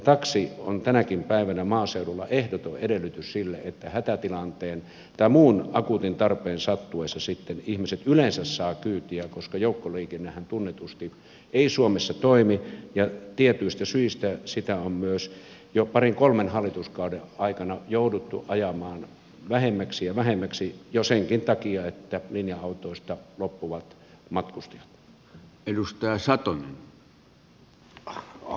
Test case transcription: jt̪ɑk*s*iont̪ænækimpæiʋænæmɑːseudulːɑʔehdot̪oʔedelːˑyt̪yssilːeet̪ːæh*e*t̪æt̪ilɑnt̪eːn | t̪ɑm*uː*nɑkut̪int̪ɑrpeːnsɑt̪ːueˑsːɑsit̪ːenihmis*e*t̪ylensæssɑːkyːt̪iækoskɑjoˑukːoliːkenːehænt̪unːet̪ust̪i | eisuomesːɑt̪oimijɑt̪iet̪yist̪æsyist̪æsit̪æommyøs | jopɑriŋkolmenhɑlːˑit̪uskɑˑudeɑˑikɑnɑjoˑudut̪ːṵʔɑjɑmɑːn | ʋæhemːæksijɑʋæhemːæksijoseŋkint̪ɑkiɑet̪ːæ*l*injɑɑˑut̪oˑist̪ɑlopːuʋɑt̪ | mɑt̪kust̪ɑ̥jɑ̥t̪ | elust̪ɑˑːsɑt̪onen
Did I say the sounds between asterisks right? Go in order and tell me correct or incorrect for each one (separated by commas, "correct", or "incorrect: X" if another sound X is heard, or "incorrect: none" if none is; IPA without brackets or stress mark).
correct, incorrect: æ, correct, correct, correct